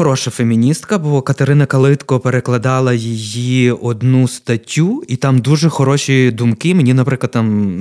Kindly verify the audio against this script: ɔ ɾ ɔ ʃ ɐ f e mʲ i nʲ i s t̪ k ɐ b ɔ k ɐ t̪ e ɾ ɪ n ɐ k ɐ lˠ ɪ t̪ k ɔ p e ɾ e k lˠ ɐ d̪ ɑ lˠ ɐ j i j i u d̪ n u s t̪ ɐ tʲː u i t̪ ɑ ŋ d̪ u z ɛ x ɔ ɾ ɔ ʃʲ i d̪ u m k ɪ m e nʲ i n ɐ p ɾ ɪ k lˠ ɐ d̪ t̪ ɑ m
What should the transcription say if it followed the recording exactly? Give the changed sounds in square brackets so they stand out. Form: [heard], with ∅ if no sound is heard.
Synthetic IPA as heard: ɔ ɾ ɔ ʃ ɐ f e mʲ i nʲ i s t̪ k ɐ b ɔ k ɐ t̪ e ɾ ɪ n ɐ k ɐ lˠ ɪ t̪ k ɔ p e ɾ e k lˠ ɐ d̪ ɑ lˠ ɐ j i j i [ɔ] d̪ n u s t̪ ɐ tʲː u i t̪ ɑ [m] d̪ u [ʒ] ɛ x ɔ ɾ ɔ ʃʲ i d̪ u m k ɪ m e nʲ i n ɐ p ɾ ɪ k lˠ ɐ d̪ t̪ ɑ m